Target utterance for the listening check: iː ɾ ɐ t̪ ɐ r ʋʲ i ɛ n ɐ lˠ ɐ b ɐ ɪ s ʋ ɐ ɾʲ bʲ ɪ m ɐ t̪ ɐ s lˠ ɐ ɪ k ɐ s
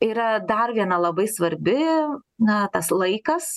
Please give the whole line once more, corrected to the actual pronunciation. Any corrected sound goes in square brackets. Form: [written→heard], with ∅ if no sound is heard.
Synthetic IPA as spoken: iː ɾ ɐ [t̪→d̪] ɐ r ʋʲ i ɛ n ɐ lˠ ɐ b ɐ ɪ s ʋ ɐ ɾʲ bʲ ɪ [m→n] ɐ t̪ ɐ s lˠ ɐ ɪ k ɐ s